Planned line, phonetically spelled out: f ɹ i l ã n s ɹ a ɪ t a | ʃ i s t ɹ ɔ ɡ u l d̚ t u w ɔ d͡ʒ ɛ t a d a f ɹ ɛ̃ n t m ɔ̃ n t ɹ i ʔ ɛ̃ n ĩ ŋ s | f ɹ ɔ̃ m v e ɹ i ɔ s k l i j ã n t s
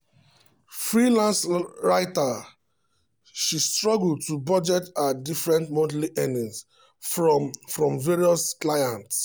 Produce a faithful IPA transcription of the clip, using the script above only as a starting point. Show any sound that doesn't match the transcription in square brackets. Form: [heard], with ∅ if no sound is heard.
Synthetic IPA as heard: f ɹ i l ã n s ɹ a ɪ t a | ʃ i s t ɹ ɔ ɡ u l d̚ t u [b] ɔ d͡ʒ ɛ t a d [i] f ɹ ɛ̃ n t m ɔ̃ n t [l] i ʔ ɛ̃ n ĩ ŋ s | f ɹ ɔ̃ m v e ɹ i ɔ s k l [a] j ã n t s